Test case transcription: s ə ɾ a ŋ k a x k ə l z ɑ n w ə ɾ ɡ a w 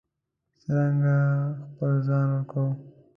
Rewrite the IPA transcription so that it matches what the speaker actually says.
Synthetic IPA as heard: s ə ɾ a ŋ ɡ a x p ə l z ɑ n w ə ɾ k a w